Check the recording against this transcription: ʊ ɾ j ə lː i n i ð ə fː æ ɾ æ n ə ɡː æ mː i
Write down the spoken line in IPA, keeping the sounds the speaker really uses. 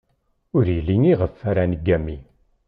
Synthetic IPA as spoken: ʊ ɾ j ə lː i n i ʁ ə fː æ ɾ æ n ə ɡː æ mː i